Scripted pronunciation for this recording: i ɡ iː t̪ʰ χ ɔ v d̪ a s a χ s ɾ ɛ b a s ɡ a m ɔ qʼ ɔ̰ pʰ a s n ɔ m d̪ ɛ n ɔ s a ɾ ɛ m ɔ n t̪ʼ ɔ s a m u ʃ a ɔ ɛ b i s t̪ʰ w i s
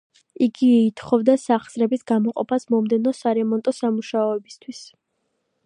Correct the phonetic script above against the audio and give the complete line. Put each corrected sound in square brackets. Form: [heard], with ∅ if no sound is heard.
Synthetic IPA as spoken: i ɡ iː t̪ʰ χ ɔ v d̪ a s a χ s ɾ ɛ b [i] s ɡ a m ɔ qʼ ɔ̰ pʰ a s [m] ɔ m d̪ ɛ n ɔ s a ɾ ɛ m ɔ n t̪ʼ ɔ s a m u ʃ a ɔ ɛ b i s t̪ʰ w i s